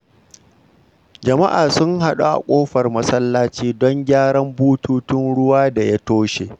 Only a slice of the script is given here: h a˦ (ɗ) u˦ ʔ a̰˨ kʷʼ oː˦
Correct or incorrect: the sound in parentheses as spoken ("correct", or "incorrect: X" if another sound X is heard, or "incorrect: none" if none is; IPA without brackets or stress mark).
correct